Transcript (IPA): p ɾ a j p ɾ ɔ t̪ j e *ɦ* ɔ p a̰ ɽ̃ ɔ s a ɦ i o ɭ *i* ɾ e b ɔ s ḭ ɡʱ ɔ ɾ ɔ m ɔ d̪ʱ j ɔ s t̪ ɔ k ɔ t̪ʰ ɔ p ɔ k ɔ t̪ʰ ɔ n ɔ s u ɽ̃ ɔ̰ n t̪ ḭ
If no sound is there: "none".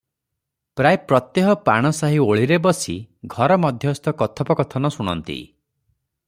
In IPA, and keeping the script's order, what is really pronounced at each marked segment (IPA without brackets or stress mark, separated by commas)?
ɦ, i